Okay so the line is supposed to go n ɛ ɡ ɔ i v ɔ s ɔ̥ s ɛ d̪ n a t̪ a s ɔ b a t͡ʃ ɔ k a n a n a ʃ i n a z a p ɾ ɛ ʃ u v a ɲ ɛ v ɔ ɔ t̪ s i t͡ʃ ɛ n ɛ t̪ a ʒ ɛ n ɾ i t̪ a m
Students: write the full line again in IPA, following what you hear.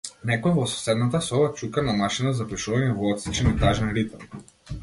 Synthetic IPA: n ɛ k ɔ ɛ v ɔ s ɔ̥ s ɛ d̪ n a t̪ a s ɔ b a t͡ʃ u k a n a m a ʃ i n a z a p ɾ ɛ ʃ u v a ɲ ɛ v ɔ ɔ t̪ s i t͡ʃ ɛ n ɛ t̪ a ʒ ɛ n ɾ i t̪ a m